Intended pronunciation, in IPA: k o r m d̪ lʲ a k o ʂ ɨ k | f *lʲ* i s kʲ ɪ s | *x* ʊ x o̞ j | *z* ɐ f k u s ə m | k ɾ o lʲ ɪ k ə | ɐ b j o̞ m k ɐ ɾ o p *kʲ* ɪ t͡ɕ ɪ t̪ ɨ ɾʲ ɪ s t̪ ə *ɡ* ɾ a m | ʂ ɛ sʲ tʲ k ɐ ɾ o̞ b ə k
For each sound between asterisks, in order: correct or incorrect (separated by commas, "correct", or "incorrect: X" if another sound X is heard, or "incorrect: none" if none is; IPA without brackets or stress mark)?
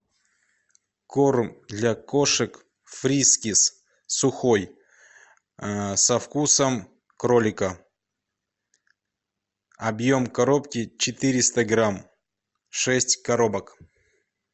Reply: incorrect: ɾʲ, incorrect: s, incorrect: s, correct, correct